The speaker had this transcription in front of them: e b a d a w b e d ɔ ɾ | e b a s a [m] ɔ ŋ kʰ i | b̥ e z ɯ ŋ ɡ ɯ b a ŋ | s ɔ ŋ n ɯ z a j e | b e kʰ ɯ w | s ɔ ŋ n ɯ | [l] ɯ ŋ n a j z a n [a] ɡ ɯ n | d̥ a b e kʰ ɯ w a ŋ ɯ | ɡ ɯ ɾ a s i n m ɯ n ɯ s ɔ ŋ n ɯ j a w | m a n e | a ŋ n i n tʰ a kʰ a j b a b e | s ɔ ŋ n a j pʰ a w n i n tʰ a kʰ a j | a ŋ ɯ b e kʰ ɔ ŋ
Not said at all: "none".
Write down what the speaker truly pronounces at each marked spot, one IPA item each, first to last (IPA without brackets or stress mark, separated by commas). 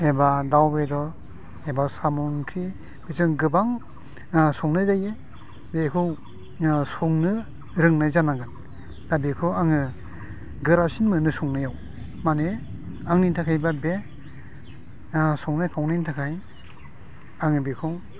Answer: m, ɾ, a